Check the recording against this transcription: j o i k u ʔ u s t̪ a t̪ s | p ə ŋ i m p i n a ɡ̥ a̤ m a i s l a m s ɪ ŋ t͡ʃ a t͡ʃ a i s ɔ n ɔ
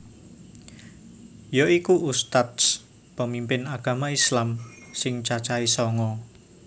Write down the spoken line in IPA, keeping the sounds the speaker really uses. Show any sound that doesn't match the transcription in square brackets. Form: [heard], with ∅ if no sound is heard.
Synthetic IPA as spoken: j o i k u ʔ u s t̪ a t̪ s | p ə [m] i m p [ɪ] n a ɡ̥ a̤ m a i s l a m s ɪ ŋ t͡ʃ a t͡ʃ a i s ɔ [ŋ] ɔ

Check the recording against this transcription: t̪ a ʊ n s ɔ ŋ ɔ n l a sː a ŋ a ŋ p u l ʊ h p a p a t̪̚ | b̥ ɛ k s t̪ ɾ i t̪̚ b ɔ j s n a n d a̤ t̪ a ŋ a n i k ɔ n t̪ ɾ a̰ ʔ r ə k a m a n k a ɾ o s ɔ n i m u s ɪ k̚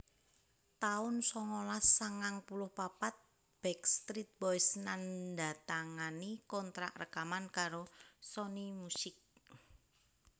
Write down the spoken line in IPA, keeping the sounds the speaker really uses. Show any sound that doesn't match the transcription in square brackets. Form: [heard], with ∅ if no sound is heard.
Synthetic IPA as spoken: t̪ a ʊ n s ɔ ŋ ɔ [∅] l a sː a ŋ a ŋ p u l ʊ h p a p a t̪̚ | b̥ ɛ k s t̪ ɾ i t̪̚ b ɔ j s n a n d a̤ t̪ a ŋ a n i k ɔ n t̪ ɾ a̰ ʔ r ə k a m a n k a ɾ o s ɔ n i m u s ɪ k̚

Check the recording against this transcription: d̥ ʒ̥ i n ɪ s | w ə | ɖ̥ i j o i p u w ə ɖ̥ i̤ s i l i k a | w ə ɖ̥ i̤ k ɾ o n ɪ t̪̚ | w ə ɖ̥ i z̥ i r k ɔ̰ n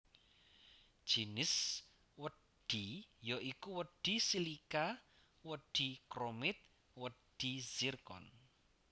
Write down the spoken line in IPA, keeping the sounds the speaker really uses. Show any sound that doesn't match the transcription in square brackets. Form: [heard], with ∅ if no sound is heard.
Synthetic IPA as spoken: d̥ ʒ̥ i n ɪ s | w ə | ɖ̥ i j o i [k] u w ə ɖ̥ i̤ s i l i k a | w ə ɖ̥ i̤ k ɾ o [m] ɪ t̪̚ | w ə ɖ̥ i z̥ i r k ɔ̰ n

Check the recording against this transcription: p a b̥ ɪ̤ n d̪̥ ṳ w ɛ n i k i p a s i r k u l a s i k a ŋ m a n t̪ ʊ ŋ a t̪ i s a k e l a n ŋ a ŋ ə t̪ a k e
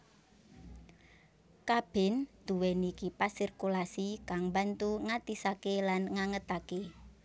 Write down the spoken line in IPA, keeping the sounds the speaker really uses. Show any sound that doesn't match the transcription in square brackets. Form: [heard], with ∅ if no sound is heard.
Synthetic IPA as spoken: [k] a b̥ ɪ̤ n d̪̥ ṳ w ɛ n i k i p a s i r k u l a s i k a ŋ [b] a n t̪ [u] ŋ a t̪ i s a k e l a n ŋ a ŋ ə t̪ a k e

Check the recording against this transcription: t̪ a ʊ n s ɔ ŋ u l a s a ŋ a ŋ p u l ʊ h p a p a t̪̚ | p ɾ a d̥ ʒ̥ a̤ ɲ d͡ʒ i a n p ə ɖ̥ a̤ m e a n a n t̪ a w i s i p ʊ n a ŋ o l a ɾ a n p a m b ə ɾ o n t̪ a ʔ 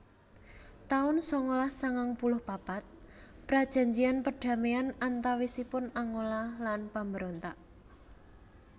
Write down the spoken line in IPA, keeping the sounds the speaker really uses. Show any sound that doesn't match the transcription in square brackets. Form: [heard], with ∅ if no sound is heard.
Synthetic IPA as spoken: t̪ a ʊ n s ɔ ŋ [o] l a s a ŋ a ŋ p u l ʊ h p a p a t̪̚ | p ɾ a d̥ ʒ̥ a̤ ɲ d͡ʒ i a n p ə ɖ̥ a̤ m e a n a n t̪ a w i s i p ʊ n a ŋ o l a [l] a n p a m b ə ɾ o n t̪ a ʔ

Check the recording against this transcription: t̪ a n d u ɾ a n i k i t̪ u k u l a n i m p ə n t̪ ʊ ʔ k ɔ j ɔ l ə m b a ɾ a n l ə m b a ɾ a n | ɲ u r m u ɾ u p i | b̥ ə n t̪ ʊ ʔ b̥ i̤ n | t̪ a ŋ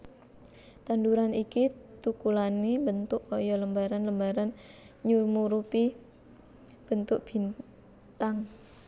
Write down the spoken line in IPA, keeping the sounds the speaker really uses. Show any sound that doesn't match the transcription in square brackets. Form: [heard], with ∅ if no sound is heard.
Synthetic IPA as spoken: t̪ a n d u ɾ a n i k i t̪ u k u l a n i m [b] ə n t̪ ʊ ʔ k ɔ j ɔ l ə m b a ɾ a n l ə m b a ɾ a n | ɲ u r m u ɾ u p i | b̥ ə n t̪ ʊ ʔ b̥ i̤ n | t̪ a ŋ

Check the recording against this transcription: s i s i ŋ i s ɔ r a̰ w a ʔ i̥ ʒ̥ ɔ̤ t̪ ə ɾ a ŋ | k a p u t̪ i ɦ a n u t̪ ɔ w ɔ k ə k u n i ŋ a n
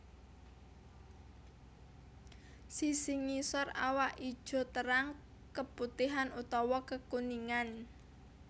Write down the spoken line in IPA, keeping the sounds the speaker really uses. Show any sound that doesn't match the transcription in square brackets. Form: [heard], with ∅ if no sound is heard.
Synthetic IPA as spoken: s i s i ŋ i s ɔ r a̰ w a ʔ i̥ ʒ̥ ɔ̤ t̪ ə ɾ a ŋ | k [ə] p u t̪ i ɦ a n u t̪ ɔ w ɔ k ə k u n i ŋ a n

